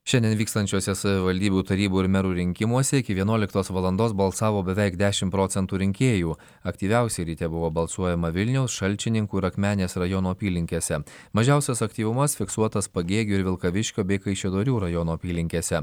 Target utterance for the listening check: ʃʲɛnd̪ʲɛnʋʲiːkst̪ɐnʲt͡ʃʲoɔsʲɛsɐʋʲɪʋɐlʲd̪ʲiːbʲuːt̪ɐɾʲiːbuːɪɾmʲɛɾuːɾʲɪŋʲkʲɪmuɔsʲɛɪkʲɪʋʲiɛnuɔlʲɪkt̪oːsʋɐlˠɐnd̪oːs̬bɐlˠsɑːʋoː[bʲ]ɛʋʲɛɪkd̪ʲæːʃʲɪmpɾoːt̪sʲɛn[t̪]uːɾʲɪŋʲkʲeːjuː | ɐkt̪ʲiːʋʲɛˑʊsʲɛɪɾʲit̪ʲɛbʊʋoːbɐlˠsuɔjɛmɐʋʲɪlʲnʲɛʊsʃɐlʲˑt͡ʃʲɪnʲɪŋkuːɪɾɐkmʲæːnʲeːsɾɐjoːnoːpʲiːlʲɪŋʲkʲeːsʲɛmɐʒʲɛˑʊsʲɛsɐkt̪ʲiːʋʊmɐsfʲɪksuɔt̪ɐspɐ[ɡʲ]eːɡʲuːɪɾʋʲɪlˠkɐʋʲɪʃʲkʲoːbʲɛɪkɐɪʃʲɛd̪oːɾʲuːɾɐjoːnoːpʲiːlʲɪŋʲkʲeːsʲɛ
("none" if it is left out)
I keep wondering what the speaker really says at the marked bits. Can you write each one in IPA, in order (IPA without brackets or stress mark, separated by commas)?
bʲ, t̪, ɡʲ